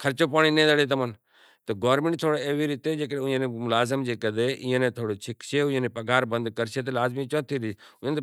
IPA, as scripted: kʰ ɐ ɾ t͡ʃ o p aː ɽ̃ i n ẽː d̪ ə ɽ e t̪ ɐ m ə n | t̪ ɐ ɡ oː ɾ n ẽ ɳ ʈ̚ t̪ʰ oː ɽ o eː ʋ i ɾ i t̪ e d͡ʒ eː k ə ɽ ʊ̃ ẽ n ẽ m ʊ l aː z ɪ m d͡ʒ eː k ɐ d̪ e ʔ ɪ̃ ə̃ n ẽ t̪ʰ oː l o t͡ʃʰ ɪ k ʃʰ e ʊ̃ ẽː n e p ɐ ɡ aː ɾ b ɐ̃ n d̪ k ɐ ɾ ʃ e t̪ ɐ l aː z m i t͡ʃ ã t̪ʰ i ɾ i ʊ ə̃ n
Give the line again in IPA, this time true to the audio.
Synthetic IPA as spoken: kʰ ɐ ɾ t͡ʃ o p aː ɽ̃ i n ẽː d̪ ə ɽ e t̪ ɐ m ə n | t̪ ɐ ɡ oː ɾ m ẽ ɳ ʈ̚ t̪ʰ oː ɽ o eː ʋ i ɾ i t̪ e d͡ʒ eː k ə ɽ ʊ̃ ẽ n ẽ m ʊ l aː z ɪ m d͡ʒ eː k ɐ d̪ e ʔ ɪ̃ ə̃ n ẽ t̪ʰ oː ɽ o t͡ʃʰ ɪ k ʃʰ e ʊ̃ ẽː n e p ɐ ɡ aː ɾ b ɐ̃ n d̪ k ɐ ɾ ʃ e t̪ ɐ l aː z m i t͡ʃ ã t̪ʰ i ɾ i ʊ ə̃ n